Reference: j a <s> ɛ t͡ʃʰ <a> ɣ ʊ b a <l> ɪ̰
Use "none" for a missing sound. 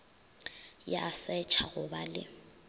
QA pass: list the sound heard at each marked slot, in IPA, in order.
s, a, l

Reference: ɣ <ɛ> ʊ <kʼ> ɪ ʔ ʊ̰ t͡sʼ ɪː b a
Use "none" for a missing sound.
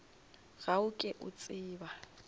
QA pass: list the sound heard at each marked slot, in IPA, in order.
a, kʼ

